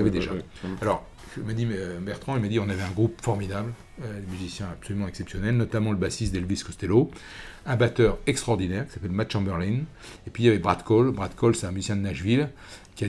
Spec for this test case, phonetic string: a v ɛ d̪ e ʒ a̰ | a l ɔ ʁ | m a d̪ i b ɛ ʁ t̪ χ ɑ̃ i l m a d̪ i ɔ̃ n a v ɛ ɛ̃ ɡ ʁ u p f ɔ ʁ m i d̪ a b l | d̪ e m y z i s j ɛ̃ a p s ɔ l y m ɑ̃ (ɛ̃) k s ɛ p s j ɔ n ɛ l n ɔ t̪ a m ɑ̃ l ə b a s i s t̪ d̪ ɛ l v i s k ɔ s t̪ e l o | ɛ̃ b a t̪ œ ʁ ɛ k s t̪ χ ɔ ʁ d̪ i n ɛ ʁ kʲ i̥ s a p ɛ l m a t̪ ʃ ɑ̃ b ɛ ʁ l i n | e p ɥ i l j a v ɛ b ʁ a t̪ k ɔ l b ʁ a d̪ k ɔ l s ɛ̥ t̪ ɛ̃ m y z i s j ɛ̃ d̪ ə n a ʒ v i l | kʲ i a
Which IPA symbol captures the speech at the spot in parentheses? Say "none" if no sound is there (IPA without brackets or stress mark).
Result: ɛ